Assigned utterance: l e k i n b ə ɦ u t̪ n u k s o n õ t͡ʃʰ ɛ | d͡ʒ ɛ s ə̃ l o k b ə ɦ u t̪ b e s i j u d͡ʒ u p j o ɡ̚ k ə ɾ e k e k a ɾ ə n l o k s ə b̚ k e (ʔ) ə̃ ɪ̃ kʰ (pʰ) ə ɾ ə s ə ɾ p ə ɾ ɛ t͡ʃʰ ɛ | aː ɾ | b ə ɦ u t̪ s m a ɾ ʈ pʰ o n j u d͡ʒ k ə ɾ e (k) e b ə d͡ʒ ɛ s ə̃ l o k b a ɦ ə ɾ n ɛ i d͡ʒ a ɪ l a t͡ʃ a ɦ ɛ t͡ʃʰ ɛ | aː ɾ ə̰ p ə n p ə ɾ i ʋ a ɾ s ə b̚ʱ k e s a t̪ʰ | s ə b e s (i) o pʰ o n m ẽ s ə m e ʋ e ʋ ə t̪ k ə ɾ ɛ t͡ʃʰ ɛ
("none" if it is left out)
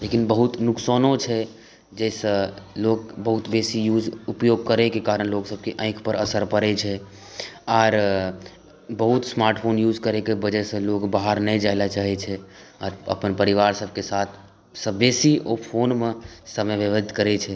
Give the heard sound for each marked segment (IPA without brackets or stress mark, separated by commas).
ʔ, p, k, i